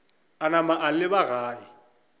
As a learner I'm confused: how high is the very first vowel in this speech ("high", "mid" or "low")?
low